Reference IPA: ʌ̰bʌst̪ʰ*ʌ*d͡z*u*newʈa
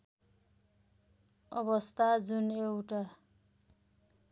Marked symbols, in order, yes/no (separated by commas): no, yes